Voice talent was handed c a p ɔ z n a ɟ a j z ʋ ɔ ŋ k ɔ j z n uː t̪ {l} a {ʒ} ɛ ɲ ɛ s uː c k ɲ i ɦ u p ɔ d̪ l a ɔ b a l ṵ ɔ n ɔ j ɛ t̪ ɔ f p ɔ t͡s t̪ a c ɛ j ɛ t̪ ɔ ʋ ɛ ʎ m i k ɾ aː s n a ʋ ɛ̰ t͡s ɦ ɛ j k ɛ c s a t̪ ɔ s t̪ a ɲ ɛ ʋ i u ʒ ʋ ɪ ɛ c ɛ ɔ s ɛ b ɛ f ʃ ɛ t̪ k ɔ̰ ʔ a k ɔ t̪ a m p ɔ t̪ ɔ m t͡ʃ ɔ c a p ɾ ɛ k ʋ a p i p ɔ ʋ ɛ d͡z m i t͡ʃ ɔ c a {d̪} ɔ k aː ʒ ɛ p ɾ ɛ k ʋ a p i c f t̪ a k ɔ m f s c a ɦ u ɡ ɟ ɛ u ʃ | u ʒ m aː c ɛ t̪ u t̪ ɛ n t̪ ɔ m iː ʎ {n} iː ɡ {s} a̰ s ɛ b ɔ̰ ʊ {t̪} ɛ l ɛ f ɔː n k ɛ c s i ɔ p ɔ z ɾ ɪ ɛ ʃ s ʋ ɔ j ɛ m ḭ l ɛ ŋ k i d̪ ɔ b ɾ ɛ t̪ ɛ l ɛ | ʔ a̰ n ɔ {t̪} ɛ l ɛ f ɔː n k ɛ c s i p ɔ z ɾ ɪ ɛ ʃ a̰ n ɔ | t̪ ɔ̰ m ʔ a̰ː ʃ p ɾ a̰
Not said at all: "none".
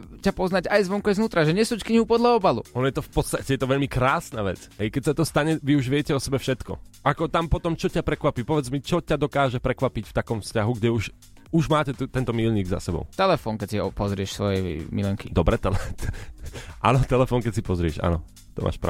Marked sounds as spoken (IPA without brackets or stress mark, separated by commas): ɾ, ʒ, d̪, ɲ, z, t̪, t̪